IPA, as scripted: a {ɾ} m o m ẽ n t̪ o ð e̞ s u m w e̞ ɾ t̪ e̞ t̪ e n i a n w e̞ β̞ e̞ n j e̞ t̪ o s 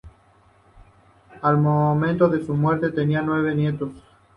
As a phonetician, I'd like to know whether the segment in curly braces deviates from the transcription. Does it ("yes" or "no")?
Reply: yes